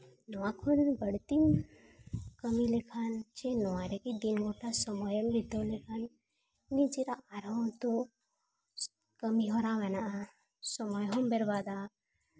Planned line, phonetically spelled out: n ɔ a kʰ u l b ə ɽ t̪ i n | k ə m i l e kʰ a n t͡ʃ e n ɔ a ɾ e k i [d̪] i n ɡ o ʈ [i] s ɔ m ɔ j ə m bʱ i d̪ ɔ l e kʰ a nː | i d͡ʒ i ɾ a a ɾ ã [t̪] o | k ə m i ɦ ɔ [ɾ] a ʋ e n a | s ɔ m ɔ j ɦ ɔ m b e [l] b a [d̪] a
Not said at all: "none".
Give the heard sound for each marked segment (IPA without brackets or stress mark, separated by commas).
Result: d̪, a, t̪, ɾ, ɾ, d̪